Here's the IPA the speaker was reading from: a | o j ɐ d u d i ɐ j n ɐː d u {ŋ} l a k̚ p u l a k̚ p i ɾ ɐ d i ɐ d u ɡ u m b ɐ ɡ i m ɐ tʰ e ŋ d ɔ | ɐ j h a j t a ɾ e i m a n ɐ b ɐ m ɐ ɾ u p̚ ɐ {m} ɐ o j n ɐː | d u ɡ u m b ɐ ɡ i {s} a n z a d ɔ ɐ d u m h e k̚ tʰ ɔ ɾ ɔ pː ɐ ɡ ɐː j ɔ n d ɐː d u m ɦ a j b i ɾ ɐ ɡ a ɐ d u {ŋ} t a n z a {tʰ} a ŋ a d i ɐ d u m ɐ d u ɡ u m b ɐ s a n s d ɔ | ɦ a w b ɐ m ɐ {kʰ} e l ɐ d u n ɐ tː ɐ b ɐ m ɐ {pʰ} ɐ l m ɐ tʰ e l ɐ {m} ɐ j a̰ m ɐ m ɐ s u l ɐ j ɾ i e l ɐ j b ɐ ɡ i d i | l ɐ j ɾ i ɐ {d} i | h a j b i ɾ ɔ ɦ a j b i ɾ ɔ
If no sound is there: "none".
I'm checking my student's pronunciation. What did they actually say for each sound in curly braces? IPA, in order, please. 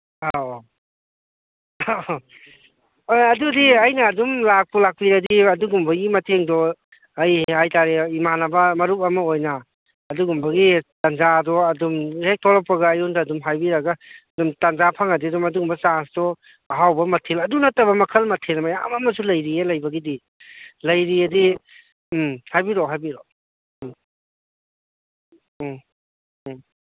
m, m, t, m, pʰ, tʰ, kʰ, m, d

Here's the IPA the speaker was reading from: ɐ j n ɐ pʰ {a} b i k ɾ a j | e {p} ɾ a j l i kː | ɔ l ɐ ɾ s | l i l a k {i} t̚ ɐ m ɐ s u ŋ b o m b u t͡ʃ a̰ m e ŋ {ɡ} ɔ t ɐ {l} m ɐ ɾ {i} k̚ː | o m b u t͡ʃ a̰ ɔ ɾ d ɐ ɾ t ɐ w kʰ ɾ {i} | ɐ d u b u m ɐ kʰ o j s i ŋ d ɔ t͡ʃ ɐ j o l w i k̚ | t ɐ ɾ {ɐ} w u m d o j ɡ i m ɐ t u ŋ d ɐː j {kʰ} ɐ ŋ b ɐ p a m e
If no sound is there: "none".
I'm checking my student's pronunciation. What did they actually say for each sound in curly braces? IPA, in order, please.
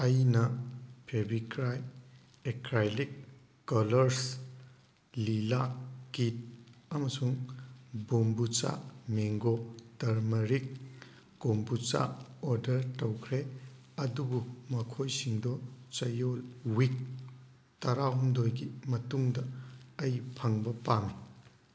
e, k, i, ɡ, ɾ, i, e, a, pʰ

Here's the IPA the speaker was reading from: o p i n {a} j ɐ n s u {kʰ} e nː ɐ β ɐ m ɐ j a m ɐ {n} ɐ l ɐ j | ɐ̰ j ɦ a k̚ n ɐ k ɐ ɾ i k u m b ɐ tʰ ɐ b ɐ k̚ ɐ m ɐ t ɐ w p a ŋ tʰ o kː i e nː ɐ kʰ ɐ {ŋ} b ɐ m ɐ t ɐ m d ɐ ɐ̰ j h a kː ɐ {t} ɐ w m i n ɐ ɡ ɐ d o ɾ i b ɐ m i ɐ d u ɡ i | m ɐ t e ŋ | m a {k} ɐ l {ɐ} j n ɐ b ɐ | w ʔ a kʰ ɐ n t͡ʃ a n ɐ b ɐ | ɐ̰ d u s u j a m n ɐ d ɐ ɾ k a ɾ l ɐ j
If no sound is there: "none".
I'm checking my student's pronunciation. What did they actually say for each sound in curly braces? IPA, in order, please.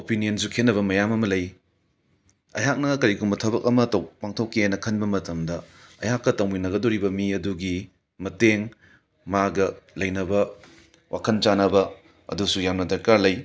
i, kʰ, m, n, t, ɡ, ɐ

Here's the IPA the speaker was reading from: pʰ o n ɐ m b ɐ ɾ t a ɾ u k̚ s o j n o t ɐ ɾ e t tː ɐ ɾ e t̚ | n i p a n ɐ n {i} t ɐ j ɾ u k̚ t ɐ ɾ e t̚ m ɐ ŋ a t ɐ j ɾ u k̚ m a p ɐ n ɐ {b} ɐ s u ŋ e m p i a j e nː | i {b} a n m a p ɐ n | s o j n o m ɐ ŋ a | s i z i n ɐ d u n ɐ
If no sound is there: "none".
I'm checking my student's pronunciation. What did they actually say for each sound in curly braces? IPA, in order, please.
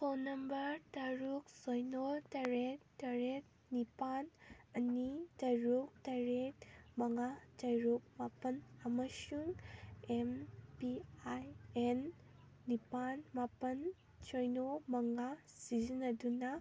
i, m, p

